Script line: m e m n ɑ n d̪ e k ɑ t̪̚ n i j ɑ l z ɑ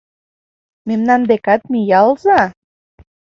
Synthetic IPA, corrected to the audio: m e m n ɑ n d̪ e k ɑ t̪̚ m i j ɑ l z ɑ